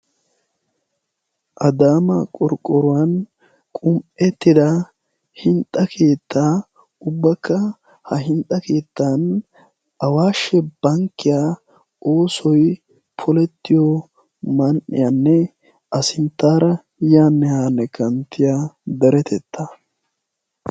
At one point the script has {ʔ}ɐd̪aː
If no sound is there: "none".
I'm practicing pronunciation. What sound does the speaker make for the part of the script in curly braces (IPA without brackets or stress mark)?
ʔ